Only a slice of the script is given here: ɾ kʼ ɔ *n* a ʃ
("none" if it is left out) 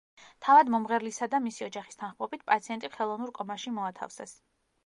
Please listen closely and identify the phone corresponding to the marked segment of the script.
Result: m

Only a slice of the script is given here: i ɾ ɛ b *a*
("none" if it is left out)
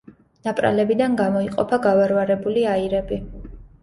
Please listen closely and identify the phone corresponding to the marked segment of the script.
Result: i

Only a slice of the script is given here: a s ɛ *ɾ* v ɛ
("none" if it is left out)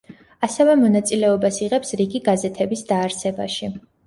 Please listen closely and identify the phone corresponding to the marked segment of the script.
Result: none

